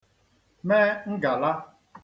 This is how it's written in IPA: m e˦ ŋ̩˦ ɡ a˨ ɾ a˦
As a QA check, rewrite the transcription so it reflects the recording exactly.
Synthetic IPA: m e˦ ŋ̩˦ ɡ a˨ l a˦